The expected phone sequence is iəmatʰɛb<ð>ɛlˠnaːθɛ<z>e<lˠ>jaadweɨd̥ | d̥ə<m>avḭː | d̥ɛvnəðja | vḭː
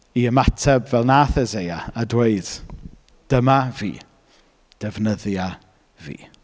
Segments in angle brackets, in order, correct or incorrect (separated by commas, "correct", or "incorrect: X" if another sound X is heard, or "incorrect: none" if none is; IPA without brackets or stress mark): incorrect: v, correct, incorrect: none, correct